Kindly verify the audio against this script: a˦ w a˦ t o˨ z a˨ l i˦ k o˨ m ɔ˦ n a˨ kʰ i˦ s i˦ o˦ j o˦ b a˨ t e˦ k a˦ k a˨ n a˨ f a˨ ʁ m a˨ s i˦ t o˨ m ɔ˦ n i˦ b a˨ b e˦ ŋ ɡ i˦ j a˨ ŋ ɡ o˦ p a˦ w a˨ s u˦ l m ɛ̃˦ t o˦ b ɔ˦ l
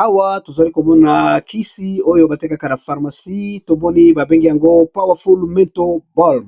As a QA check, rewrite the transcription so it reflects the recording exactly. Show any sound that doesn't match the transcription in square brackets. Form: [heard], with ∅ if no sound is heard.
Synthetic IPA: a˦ w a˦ t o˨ z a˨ l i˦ k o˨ m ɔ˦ n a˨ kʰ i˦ s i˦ o˦ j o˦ b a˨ t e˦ k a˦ k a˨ n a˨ f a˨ ʁ m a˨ s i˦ t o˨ m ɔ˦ n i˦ b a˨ b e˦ ŋ ɡ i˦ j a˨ ŋ ɡ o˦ p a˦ w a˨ [f] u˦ l m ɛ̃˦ t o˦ b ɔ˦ l